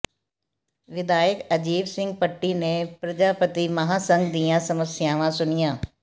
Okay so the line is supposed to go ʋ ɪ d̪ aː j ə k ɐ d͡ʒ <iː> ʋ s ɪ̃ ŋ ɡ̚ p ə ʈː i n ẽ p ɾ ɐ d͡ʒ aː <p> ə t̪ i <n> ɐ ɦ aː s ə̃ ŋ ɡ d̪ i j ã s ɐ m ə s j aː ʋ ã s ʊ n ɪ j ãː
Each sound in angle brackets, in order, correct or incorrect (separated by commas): correct, correct, incorrect